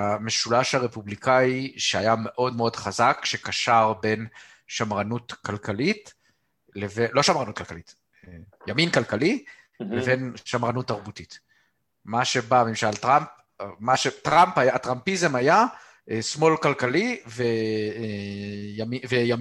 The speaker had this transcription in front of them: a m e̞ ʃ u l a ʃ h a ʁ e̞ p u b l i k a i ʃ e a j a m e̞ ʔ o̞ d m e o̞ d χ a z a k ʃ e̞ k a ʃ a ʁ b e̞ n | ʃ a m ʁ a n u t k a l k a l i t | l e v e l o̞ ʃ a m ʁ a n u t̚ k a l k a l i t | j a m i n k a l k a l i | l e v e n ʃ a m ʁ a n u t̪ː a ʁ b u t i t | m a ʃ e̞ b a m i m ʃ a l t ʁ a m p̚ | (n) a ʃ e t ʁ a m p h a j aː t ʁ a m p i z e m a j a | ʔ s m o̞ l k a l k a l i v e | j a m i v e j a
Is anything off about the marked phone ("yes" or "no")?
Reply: yes